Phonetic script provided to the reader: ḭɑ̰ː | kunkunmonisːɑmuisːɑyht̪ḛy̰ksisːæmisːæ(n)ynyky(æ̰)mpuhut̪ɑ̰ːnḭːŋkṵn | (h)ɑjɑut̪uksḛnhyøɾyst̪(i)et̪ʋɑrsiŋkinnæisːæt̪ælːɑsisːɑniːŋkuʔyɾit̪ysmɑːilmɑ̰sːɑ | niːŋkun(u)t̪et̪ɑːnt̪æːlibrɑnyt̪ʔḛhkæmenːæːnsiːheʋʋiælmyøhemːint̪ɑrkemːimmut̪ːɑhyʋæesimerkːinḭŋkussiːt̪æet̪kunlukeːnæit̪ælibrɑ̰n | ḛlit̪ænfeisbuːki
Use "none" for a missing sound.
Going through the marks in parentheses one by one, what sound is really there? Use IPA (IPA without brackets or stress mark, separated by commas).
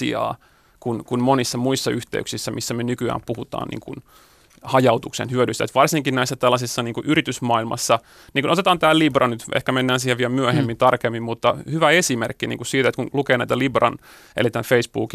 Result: m, æ̰ː, h, æ, o